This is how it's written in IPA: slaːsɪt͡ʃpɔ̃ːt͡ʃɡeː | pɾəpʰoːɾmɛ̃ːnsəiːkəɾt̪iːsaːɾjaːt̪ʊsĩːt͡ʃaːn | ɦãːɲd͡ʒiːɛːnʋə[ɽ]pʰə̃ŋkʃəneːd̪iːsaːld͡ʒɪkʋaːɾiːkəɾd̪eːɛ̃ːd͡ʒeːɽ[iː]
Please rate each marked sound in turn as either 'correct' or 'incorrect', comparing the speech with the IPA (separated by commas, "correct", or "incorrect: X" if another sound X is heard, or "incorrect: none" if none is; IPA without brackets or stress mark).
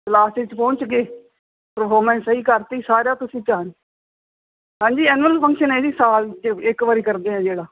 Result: incorrect: l, incorrect: aː